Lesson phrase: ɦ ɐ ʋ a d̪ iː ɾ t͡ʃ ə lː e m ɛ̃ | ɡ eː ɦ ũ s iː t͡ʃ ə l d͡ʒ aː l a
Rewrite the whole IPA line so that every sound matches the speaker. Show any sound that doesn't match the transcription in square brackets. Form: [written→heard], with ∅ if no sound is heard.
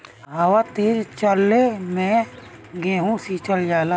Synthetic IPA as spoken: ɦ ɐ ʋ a [d̪→t̪] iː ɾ t͡ʃ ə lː e m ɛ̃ | ɡ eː ɦ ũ s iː t͡ʃ ə l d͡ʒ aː l a